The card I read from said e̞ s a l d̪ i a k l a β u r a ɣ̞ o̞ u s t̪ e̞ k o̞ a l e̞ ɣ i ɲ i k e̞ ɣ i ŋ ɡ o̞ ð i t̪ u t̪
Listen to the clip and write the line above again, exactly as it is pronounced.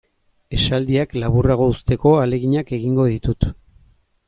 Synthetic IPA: e̞ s a l d̪ i a k l a β u r a ɣ̞ o̞ u s t̪ e̞ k o̞ a l e̞ ɣ i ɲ a k e̞ ɣ i ŋ ɡ o̞ ð i t̪ u t̪